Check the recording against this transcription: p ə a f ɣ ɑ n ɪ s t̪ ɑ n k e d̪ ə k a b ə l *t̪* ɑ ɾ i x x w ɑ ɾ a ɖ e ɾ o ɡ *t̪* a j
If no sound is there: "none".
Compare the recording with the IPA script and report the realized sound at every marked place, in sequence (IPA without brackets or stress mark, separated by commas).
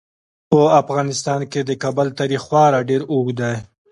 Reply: t̪, d̪